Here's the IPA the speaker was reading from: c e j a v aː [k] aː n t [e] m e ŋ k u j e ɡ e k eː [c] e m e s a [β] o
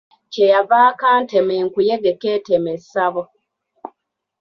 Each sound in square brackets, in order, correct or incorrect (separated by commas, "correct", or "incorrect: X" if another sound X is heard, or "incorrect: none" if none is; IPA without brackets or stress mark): correct, correct, incorrect: t, correct